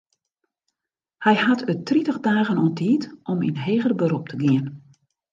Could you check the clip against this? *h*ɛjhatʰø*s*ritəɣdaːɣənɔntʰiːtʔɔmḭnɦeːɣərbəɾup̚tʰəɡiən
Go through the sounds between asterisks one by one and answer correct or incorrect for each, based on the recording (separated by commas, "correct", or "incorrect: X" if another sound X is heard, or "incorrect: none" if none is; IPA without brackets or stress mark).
correct, incorrect: t